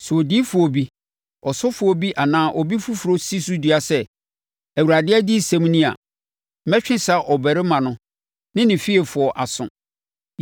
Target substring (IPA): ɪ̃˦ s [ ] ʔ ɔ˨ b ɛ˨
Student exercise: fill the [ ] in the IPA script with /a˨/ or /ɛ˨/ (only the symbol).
a˨